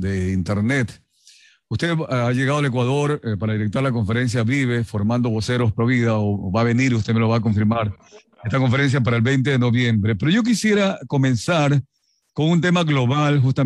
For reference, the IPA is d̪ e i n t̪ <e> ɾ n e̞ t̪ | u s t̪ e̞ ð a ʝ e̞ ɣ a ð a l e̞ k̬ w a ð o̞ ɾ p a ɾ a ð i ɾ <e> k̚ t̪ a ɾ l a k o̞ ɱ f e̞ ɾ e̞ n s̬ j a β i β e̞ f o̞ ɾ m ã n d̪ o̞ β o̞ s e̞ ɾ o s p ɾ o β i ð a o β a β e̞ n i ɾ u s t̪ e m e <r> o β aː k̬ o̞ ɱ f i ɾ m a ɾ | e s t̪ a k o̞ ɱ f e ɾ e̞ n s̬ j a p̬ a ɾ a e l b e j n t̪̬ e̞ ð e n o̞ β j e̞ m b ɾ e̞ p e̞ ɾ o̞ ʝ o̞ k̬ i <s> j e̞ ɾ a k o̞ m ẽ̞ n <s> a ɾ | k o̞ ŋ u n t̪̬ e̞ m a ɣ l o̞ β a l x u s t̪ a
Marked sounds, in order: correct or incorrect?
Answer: correct, correct, incorrect: l, correct, correct

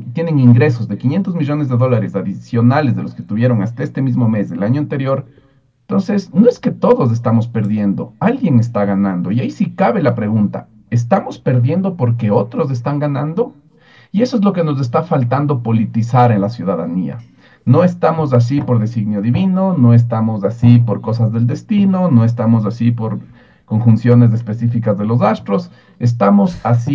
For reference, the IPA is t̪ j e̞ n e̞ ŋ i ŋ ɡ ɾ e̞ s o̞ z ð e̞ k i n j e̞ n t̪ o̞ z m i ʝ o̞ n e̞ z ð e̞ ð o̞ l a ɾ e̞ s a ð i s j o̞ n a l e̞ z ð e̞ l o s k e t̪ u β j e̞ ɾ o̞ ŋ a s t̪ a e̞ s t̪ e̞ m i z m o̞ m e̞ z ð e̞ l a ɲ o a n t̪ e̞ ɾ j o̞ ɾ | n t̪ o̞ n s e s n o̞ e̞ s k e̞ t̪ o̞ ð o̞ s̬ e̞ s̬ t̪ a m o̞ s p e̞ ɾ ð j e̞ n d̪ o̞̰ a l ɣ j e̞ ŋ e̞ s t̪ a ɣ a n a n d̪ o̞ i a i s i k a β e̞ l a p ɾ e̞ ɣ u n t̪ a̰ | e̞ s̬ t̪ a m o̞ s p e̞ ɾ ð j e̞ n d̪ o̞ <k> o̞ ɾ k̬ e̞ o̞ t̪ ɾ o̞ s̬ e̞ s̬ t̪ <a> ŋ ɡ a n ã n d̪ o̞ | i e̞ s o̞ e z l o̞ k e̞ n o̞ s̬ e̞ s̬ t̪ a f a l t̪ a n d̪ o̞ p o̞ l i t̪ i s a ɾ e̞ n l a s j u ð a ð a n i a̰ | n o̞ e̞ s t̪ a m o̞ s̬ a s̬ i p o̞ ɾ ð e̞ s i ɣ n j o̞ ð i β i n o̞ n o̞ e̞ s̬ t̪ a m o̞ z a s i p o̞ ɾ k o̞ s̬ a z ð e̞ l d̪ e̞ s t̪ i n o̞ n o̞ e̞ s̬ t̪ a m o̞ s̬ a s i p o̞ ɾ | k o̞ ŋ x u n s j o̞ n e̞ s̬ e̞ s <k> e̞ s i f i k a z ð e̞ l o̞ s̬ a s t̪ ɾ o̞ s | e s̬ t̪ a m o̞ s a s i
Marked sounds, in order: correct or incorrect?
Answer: incorrect: p, correct, incorrect: p

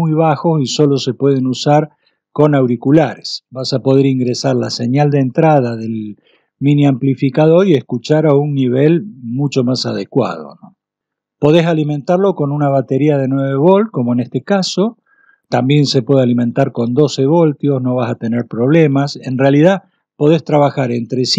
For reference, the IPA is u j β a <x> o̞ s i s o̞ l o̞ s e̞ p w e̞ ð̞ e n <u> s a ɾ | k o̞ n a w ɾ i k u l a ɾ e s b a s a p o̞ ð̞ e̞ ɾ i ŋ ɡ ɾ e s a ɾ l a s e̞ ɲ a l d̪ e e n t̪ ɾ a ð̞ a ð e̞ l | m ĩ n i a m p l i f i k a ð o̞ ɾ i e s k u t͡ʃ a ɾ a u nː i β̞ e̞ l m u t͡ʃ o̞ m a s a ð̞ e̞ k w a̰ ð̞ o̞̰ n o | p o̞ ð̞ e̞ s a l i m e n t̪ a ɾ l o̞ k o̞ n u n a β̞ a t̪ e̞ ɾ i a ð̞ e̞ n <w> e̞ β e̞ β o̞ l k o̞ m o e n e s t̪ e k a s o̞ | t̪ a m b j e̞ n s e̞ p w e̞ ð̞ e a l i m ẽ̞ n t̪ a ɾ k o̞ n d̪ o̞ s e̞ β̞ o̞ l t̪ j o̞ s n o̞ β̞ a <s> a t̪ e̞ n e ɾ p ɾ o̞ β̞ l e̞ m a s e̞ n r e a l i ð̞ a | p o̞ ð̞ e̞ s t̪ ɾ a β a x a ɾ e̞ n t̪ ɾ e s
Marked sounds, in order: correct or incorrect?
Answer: correct, correct, correct, correct

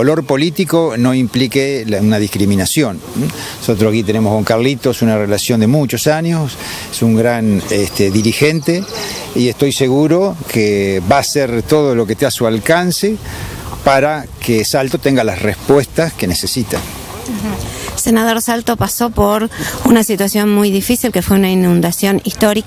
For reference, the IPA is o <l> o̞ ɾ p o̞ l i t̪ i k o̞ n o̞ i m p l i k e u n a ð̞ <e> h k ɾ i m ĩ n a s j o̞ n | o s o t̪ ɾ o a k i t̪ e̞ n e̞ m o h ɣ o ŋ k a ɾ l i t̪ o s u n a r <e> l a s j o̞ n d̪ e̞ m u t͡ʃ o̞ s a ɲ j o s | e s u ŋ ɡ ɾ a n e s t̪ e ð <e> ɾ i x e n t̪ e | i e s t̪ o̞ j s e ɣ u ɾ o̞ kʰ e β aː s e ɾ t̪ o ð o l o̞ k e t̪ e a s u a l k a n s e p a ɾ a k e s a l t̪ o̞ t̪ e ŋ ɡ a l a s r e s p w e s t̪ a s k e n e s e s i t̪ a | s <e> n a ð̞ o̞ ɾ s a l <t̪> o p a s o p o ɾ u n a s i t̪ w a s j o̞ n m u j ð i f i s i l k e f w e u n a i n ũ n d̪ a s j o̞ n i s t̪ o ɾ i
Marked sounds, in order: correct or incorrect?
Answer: correct, incorrect: i, correct, incorrect: i, correct, correct

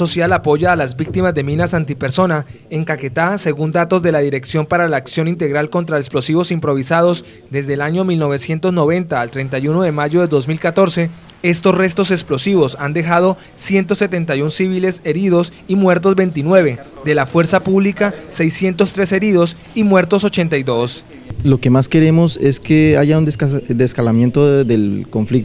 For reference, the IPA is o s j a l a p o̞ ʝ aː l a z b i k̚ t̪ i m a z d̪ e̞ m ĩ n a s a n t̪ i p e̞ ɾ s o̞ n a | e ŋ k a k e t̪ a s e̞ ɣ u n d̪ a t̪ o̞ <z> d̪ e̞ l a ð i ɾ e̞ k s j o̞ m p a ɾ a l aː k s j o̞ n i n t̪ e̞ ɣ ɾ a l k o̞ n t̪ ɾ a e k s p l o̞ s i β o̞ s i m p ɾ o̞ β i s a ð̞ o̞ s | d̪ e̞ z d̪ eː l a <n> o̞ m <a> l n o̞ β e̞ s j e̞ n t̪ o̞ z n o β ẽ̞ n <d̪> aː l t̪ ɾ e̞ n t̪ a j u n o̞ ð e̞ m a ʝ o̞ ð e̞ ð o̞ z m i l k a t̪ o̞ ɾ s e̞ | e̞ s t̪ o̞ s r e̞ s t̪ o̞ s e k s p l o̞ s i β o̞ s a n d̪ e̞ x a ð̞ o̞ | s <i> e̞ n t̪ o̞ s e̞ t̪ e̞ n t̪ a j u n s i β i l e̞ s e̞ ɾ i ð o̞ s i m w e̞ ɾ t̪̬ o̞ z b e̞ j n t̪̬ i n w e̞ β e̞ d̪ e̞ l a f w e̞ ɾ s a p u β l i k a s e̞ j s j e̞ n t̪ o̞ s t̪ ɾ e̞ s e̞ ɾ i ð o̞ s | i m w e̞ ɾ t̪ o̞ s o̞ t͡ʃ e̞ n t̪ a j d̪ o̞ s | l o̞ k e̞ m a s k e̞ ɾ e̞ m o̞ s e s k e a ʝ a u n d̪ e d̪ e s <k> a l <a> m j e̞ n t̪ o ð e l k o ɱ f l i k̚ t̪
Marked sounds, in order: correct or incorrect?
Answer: correct, incorrect: ɲ, incorrect: i, incorrect: t̪, incorrect: j, correct, correct

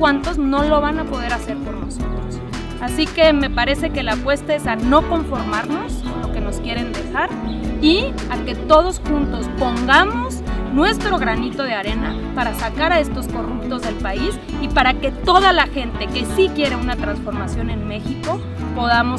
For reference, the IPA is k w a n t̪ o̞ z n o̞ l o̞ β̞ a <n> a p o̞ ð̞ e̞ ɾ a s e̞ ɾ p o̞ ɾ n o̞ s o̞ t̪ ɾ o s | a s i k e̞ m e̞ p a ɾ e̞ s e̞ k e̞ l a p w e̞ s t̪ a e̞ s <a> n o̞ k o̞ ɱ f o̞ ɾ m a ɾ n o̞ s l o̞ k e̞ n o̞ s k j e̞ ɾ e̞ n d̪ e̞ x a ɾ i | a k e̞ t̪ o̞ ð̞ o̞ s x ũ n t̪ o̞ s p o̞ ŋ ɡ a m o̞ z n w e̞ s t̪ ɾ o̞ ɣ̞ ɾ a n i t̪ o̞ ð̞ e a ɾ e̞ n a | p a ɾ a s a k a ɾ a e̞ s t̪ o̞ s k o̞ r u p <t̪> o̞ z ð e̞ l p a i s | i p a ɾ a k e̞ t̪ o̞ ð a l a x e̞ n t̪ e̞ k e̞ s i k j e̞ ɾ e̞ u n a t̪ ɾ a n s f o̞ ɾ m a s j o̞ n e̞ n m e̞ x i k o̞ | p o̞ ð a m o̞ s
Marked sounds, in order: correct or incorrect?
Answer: correct, correct, correct

